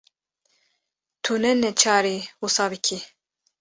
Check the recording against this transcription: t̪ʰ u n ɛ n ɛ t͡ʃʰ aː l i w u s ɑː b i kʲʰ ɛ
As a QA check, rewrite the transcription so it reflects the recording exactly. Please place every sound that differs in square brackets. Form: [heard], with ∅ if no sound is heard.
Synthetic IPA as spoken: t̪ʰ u n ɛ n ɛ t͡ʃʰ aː [ɾ] i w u s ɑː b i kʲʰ [i]